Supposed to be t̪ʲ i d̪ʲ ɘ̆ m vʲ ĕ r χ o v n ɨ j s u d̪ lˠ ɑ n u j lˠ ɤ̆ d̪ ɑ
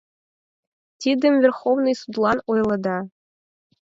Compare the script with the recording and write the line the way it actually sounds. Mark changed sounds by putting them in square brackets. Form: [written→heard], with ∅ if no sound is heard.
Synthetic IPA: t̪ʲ i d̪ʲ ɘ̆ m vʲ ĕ r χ o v n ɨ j s u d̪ lˠ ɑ n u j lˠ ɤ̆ d̪ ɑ